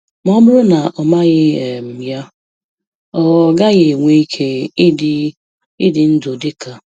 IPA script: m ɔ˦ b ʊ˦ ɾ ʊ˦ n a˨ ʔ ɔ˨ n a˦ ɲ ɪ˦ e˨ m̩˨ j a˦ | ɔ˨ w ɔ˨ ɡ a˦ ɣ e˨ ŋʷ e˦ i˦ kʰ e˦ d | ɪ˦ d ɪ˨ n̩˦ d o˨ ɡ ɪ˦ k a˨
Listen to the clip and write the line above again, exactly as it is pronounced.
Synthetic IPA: m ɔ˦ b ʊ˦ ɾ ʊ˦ n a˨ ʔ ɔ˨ m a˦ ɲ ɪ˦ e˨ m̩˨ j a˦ | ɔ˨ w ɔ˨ ɡ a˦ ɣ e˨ ŋʷ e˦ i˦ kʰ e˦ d | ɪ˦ d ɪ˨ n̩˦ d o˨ d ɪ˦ k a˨